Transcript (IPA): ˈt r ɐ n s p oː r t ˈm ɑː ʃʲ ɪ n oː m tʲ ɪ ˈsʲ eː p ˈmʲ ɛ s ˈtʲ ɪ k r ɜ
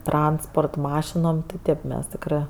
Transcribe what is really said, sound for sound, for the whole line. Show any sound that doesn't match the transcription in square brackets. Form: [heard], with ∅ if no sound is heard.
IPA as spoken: ˈt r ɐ n s p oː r t ˈm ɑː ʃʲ ɪ n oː m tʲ ɪ [ˈtʲ] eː p ˈmʲ ɛ s ˈtʲ ɪ k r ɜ